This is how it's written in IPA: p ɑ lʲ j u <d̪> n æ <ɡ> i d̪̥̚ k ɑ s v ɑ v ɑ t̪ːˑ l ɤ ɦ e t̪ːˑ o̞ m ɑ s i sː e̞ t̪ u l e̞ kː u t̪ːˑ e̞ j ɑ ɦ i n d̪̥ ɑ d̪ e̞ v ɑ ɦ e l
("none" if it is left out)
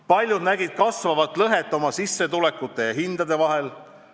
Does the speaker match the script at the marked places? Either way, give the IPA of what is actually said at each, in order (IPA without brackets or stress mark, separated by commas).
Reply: d̪, ɡ